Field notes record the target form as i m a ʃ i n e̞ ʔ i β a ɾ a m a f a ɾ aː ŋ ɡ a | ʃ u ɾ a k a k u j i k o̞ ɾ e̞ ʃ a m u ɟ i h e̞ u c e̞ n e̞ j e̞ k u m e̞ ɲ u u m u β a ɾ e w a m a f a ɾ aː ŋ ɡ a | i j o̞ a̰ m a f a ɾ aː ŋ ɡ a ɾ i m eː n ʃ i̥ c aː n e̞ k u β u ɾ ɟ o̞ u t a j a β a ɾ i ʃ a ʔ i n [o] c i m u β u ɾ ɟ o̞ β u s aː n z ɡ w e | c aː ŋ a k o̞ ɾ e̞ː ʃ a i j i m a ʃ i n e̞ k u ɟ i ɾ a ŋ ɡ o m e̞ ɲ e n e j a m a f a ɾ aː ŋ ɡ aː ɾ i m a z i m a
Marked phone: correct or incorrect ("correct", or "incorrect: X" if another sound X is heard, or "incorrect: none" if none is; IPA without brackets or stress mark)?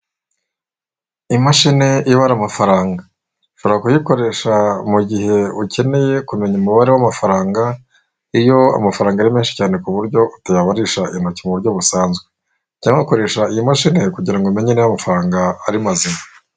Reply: correct